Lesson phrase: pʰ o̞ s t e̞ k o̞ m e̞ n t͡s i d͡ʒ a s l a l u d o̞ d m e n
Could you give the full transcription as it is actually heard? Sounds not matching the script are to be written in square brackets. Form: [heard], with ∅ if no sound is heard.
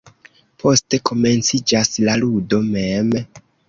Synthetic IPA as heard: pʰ o̞ s t e̞ k o̞ m e̞ n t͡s i d͡ʒ a s l a l u d o̞ [∅] m e [m]